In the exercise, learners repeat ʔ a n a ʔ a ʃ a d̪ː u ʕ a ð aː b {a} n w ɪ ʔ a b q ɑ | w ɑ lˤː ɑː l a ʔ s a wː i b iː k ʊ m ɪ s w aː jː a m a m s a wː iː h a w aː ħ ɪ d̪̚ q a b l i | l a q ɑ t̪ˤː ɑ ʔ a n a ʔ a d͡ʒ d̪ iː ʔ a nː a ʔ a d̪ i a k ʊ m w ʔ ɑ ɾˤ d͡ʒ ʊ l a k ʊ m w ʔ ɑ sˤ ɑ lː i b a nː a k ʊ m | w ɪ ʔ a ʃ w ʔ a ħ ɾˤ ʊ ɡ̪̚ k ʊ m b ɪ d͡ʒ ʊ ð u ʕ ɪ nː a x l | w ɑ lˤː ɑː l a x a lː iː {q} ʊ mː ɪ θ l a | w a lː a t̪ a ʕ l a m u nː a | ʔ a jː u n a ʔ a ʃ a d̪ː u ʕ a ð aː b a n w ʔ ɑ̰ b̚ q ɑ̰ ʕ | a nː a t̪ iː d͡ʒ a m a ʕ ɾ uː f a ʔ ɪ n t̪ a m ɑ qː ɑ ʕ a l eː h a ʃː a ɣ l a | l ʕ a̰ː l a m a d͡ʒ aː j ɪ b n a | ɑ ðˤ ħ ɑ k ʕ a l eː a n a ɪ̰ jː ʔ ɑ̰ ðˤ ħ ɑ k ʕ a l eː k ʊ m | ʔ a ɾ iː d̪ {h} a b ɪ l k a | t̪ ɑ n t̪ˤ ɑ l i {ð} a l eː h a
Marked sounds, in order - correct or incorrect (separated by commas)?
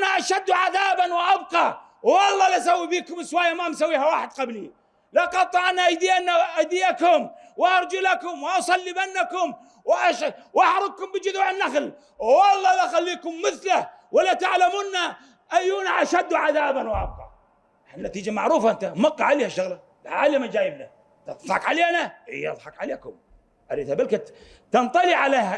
correct, incorrect, correct, incorrect